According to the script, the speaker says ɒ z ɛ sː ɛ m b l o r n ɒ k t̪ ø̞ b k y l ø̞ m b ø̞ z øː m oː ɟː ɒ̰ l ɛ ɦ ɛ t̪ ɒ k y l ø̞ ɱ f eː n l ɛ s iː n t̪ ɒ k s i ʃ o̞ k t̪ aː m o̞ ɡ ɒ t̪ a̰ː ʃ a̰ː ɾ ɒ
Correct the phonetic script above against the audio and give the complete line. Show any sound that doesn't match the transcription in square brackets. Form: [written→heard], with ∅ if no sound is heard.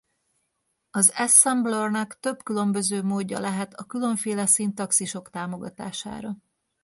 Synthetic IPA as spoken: ɒ z ɛ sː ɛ m b l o r n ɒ k t̪ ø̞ b k y l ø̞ m b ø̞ z øː m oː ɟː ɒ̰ l ɛ ɦ ɛ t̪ ɒ k y l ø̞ ɱ f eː [n→∅] l ɛ s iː n t̪ ɒ k s i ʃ o̞ k t̪ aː m o̞ ɡ ɒ t̪ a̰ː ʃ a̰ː ɾ ɒ